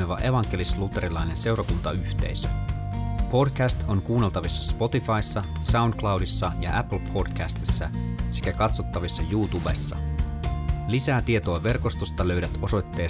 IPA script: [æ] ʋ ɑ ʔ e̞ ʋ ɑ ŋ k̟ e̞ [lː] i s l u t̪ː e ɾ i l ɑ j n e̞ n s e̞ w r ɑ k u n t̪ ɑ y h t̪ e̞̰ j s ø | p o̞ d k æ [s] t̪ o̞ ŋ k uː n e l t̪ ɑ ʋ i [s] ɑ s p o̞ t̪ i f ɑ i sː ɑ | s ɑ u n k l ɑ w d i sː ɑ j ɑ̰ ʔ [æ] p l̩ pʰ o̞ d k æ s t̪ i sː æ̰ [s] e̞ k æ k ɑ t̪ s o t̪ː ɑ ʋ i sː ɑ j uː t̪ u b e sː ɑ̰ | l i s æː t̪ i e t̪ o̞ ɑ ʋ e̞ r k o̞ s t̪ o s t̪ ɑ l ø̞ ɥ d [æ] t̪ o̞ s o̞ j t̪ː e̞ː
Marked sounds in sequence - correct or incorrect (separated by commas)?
incorrect, incorrect, correct, incorrect, correct, correct, correct